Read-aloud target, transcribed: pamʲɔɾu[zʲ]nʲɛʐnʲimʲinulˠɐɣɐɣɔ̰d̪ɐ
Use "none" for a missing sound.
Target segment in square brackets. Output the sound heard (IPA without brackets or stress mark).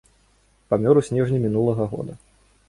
sʲ